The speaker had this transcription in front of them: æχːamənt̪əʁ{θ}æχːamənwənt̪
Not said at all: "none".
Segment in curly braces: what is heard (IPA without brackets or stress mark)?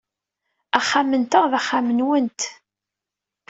ð